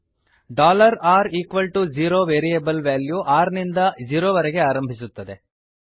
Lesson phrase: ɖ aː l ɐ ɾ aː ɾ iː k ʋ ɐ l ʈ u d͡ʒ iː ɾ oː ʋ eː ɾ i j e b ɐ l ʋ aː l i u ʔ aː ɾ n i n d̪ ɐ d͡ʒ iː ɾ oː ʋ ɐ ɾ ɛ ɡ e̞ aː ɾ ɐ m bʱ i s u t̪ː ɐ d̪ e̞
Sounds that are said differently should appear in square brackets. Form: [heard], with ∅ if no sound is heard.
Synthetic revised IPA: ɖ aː l ɐ ɾ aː ɾ iː k ʋ ɐ l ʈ u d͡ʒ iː ɾ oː ʋ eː ɾ i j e b ɐ l ʋ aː l [j] u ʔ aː ɾ n i n d̪ ɐ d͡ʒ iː ɾ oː ʋ ɐ ɾ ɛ ɡ e̞ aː ɾ ɐ m bʱ i s u t̪ː ɐ d̪ e̞